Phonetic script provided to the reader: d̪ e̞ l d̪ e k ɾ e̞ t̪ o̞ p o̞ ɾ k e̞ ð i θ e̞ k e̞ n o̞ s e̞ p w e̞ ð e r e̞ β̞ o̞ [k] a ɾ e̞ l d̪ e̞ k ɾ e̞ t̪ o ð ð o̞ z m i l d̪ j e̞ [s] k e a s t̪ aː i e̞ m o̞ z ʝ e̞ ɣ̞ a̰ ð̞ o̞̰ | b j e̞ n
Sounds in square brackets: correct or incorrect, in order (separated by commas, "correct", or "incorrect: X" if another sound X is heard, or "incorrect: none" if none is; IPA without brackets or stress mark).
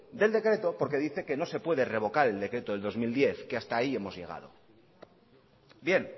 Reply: correct, incorrect: θ